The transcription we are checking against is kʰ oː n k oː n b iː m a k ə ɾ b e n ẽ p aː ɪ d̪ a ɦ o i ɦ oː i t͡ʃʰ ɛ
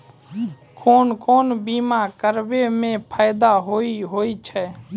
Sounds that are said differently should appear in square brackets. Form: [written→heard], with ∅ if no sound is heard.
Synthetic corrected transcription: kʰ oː n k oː n b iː m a k ə ɾ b e [n→m] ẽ [p→pʰ] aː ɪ d̪ a ɦ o i ɦ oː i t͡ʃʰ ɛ